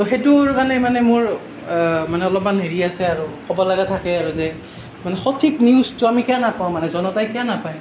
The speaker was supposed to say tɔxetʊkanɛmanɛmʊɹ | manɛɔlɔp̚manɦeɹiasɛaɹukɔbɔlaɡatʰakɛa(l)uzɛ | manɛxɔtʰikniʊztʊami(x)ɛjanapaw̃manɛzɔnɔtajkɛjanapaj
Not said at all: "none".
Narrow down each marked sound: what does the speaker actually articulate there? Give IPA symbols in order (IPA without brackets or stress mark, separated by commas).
ɹ, k